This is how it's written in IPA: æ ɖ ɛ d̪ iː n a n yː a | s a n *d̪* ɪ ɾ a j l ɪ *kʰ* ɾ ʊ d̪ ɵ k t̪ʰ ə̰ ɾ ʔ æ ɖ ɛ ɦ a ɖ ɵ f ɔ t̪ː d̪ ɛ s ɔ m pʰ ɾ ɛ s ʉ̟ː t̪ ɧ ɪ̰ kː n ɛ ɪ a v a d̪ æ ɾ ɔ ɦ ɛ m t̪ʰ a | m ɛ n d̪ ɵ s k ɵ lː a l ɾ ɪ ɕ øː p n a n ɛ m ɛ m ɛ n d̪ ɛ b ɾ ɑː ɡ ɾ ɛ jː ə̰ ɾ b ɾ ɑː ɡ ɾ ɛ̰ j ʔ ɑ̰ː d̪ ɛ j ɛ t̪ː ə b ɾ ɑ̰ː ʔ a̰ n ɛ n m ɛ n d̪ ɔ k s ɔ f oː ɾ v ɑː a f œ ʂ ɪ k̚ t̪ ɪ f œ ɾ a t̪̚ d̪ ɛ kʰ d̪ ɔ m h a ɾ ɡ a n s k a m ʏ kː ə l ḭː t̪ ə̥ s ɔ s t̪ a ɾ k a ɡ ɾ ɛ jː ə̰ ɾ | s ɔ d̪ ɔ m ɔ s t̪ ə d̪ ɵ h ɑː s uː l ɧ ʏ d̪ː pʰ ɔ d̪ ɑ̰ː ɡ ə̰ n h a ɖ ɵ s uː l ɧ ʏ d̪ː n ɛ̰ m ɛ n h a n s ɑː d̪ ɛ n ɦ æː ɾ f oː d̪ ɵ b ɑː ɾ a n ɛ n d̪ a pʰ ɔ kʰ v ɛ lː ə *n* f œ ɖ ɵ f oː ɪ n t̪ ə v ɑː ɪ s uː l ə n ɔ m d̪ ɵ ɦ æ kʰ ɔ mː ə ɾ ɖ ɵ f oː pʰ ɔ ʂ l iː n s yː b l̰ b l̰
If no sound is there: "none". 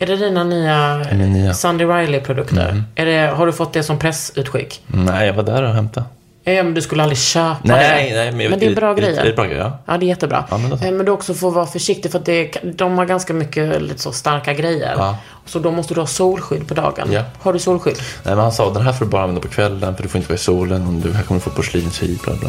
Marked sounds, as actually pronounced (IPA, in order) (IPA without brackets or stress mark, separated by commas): d̪, pʰ, n